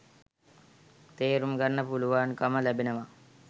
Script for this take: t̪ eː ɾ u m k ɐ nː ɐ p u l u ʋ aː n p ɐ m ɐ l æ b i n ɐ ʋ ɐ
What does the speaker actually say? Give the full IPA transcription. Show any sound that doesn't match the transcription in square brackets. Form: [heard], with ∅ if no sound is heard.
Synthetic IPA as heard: t̪ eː ɾ u m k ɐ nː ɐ p u l u ʋ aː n [k] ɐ m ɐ l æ b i n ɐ ʋ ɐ

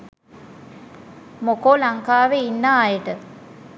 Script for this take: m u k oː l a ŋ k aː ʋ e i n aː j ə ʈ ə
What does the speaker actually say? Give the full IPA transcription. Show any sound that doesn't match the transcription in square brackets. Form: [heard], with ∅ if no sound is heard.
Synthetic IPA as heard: m [o] k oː l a ŋ k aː ʋ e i [nː] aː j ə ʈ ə

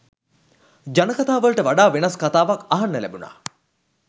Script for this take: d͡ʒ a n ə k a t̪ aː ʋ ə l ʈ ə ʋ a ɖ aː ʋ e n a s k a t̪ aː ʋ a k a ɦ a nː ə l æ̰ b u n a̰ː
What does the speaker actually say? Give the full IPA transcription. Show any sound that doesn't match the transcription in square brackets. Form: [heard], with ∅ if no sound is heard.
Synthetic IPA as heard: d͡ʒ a n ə k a t̪ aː ʋ ə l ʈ ə ʋ a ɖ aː ʋ e n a s k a t̪ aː ʋ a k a ɦ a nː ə l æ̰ b u n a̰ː

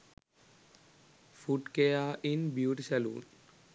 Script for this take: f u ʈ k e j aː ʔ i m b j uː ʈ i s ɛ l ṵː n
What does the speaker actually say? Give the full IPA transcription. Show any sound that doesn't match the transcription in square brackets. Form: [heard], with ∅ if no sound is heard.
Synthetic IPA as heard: f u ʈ k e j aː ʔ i [n] b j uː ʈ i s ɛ l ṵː n

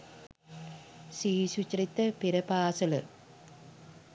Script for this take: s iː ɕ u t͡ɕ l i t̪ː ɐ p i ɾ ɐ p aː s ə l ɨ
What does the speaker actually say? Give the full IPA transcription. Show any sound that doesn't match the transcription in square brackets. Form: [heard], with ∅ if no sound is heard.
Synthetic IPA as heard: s iː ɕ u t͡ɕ [r] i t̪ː ɐ p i ɾ ɐ p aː s [ɐ] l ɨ

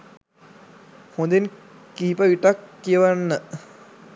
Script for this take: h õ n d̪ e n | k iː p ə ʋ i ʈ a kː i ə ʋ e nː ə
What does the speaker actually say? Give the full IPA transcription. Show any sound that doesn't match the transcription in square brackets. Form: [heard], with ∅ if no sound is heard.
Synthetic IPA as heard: h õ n d̪ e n | k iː p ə ʋ i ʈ a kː i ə ʋ [a] nː ə

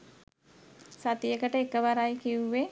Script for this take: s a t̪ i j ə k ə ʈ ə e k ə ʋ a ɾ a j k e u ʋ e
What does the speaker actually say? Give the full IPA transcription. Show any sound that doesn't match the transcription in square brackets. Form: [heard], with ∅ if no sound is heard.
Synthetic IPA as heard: s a t̪ i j ə k ə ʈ ə e k ə ʋ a ɾ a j k [i] u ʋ e

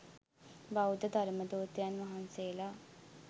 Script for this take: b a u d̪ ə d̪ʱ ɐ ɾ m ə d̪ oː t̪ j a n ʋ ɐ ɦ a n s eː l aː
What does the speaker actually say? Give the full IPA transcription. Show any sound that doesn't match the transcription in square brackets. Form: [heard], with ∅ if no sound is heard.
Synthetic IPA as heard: b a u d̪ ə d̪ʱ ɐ ɾ m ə d̪ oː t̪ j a n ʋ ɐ ɦ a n s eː l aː

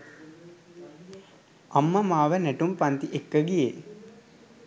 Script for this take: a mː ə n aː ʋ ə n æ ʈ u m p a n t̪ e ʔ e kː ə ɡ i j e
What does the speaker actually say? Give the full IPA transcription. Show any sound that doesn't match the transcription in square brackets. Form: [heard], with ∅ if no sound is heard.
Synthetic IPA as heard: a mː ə [m] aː ʋ ə n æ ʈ u m p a n t̪ [i] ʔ e kː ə ɡ i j e

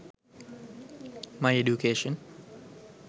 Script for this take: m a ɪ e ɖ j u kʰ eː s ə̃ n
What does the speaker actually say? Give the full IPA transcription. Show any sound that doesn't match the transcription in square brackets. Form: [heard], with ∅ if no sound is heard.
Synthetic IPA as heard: m a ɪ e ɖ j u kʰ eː [ʃ] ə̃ n

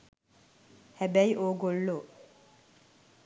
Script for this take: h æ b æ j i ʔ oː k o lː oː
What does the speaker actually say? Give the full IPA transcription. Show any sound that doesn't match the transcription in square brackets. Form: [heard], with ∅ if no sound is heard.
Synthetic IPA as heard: h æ b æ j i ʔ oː [ɡ] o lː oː

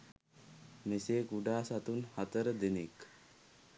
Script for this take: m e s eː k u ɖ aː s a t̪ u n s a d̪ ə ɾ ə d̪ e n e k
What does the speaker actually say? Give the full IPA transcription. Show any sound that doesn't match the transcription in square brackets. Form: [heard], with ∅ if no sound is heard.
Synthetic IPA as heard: m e s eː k u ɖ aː s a t̪ u n [h] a [t̪] ə ɾ ə d̪ e n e k

